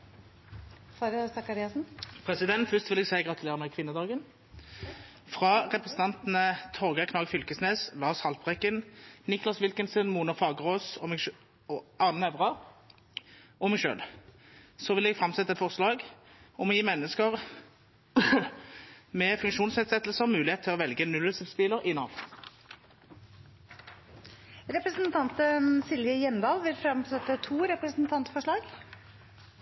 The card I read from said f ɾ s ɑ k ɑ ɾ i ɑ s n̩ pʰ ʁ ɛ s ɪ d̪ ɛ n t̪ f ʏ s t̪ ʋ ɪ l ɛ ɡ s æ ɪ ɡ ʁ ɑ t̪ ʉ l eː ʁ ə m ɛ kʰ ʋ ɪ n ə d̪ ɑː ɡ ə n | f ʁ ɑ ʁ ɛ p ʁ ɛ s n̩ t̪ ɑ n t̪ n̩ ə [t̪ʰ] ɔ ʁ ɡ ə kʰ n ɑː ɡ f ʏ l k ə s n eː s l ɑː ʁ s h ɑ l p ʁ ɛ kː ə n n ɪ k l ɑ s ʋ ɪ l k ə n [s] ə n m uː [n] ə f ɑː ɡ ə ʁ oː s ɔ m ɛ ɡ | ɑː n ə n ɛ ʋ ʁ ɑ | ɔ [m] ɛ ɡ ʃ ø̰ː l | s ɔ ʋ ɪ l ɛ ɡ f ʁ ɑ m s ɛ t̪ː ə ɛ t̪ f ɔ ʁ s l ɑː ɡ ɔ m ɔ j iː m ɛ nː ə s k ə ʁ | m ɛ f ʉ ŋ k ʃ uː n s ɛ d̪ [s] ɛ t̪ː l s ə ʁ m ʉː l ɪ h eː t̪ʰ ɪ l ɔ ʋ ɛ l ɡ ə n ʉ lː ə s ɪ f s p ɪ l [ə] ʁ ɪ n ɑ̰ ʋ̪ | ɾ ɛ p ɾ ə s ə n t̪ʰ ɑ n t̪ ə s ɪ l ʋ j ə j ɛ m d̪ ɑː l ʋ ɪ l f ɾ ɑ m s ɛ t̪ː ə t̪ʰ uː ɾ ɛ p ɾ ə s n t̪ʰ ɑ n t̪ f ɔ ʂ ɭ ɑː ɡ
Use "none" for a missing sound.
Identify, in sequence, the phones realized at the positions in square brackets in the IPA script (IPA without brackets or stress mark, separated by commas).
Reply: t̪ʰ, s, n, m, s, ə